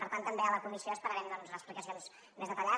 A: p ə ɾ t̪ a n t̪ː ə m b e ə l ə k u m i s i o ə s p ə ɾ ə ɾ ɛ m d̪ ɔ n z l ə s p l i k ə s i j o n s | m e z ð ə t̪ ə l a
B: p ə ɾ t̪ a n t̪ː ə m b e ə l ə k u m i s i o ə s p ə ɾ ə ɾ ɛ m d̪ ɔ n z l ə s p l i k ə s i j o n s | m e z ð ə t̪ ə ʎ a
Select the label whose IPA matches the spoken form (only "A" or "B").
B